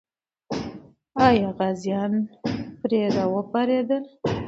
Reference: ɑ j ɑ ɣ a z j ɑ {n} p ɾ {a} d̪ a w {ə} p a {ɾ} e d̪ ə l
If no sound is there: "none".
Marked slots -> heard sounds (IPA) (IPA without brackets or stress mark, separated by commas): n, e, ə, ɾ